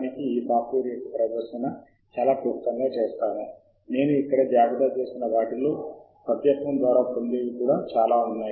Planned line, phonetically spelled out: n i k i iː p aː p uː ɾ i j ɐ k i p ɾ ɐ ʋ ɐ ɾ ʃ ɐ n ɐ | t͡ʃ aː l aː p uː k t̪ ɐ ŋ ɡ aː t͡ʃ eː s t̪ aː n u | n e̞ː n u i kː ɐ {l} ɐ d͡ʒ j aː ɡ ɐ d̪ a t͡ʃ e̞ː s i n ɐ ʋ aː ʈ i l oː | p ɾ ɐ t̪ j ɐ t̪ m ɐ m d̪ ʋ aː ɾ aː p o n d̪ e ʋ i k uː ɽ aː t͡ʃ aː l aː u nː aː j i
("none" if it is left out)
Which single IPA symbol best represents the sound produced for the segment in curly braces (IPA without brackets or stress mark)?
ɽ